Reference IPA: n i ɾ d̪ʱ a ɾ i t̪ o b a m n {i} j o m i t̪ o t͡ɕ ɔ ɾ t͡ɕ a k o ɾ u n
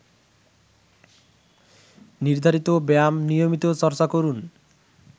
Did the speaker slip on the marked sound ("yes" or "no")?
no